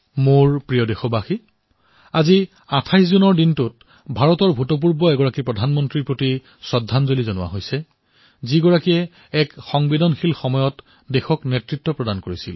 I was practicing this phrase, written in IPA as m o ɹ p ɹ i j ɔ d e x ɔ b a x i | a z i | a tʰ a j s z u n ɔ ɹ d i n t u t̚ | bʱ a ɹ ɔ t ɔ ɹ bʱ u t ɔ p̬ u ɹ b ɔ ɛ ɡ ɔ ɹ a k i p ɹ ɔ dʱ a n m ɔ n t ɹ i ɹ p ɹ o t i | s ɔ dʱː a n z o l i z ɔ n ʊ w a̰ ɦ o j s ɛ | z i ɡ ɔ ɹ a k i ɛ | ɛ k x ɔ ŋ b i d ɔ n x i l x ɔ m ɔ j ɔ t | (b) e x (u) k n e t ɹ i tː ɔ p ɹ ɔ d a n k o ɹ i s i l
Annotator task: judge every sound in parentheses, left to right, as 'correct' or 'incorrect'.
incorrect: d, incorrect: ɔ

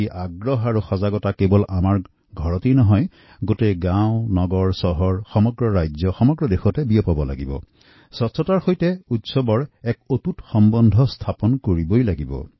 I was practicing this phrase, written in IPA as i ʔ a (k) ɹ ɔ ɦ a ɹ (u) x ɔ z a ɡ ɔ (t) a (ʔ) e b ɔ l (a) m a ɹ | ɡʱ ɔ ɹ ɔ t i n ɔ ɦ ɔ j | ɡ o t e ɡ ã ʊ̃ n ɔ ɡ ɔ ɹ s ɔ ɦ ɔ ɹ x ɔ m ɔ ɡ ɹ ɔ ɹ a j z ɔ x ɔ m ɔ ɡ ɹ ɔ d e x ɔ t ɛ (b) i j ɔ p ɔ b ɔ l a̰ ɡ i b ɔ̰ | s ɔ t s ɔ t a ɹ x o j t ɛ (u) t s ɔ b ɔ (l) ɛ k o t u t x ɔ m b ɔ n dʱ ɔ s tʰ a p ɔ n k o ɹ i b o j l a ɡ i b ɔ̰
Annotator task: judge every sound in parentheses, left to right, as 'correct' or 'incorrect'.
incorrect: ɡ, correct, correct, incorrect: k, correct, correct, correct, incorrect: ɹ

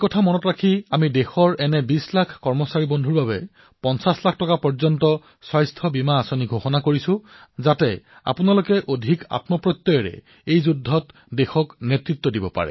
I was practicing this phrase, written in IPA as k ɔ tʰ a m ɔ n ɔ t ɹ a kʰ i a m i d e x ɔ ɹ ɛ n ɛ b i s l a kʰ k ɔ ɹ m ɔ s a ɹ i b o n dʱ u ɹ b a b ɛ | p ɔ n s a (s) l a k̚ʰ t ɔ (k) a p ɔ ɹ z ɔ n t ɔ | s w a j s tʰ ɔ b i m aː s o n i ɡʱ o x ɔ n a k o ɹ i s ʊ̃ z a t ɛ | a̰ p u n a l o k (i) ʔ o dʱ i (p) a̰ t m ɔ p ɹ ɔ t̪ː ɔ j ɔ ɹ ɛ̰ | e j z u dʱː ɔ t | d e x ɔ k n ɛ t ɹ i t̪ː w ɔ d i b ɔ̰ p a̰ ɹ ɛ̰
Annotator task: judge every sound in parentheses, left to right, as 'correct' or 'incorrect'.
correct, correct, incorrect: ɛ, incorrect: k

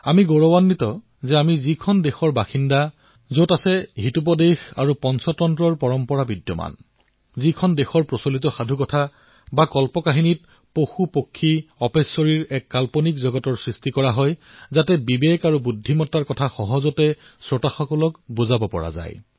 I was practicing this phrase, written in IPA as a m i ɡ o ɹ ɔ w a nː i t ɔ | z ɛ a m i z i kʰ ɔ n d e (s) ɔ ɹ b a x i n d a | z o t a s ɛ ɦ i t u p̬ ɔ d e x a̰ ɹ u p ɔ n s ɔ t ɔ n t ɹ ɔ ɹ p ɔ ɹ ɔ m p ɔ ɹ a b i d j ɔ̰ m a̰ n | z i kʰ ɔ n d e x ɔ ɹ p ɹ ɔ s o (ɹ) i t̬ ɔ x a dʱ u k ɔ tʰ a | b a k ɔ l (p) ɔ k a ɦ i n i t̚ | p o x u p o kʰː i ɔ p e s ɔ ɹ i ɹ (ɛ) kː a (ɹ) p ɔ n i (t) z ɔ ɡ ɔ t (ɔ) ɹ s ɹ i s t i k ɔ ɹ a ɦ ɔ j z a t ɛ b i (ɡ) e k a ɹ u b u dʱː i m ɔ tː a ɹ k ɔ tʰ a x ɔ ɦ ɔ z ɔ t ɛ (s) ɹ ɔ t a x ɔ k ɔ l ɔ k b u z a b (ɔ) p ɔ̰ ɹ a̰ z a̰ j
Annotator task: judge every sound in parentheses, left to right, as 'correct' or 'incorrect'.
incorrect: x, incorrect: l, correct, correct, incorrect: l, incorrect: k, correct, incorrect: b, correct, correct

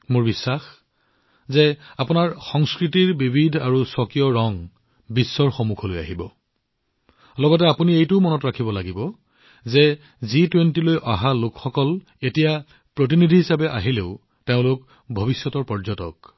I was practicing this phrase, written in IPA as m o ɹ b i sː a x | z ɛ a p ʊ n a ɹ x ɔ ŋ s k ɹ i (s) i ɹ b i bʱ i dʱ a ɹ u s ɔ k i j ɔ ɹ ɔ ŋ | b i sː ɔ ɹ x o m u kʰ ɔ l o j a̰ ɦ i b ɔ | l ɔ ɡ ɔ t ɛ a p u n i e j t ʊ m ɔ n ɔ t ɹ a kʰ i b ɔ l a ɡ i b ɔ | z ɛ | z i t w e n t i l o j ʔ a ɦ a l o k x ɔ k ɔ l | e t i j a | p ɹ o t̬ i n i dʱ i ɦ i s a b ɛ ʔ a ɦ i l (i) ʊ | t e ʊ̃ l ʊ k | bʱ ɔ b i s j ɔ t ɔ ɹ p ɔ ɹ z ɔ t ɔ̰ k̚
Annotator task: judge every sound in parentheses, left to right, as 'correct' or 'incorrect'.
incorrect: t, incorrect: e

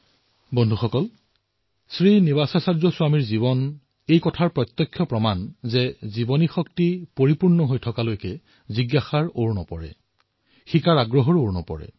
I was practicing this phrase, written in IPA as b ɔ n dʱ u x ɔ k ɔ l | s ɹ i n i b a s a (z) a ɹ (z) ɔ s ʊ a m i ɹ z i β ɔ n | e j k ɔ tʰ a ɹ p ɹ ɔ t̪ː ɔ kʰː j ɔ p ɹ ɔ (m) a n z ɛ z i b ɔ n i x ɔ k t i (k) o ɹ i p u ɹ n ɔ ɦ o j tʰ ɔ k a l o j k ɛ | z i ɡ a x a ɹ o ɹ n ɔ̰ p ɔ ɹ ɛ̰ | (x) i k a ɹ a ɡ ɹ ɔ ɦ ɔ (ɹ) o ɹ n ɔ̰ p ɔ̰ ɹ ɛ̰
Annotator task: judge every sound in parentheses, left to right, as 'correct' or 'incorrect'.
incorrect: s, correct, correct, incorrect: p, correct, correct

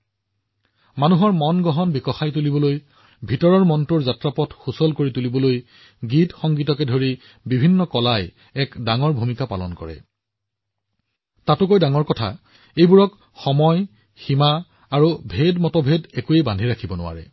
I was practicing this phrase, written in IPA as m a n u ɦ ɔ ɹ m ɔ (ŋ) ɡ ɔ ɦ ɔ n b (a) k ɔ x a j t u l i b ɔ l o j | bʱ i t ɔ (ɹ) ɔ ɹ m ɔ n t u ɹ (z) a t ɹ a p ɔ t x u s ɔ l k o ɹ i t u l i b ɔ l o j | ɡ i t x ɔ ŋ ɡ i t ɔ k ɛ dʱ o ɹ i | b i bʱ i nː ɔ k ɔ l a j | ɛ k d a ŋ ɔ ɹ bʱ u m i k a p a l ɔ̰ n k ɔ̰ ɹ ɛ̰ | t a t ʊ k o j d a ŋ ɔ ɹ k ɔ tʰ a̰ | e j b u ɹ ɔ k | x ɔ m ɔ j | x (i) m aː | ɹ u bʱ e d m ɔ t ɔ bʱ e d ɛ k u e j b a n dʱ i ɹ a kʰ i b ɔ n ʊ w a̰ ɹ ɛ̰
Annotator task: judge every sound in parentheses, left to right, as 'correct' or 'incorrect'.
incorrect: n, incorrect: i, correct, correct, correct

